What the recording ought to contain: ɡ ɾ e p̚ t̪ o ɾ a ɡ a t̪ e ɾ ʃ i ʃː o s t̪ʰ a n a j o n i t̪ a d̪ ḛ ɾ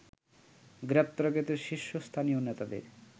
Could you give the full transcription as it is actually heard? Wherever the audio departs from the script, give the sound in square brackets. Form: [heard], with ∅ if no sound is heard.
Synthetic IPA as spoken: ɡ ɾ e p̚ t̪ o ɾ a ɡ [e] t̪ e ɾ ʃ i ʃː o s t̪ʰ a n [i] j o n [e] t̪ a d̪ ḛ ɾ